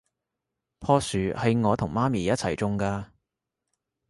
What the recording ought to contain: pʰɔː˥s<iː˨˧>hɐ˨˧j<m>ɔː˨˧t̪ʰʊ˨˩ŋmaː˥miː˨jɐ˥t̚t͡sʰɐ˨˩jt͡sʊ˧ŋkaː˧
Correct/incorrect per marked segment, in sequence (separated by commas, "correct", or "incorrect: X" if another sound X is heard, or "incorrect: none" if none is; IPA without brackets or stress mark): incorrect: yː˨˧, incorrect: ŋ